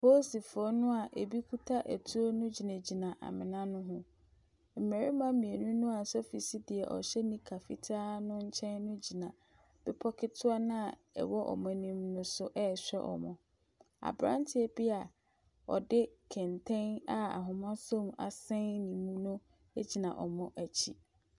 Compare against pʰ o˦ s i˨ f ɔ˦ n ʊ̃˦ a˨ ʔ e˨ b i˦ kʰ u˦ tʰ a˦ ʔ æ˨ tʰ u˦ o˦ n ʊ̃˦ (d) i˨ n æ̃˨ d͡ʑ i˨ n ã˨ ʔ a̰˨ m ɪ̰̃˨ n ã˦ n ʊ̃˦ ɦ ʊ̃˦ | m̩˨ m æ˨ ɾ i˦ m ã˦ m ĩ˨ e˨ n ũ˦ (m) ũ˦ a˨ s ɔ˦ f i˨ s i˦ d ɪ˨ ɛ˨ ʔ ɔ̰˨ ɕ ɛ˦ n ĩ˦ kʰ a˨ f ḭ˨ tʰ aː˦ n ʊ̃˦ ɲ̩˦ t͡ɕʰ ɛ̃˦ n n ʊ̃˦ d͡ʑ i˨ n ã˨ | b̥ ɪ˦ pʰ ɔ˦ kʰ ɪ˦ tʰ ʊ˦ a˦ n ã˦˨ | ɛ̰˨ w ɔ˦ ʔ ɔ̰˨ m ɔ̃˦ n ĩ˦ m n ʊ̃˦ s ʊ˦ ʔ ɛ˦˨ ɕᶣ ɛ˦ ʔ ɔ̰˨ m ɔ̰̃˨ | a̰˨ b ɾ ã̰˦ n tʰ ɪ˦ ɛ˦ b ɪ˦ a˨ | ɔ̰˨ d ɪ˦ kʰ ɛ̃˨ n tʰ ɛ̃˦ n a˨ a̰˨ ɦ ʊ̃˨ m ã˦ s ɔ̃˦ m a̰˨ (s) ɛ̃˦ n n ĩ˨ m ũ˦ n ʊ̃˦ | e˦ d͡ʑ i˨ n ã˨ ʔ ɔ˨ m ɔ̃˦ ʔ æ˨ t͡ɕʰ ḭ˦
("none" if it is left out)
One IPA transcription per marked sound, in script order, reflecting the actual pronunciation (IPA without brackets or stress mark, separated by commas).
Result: d͡ʑ, n, s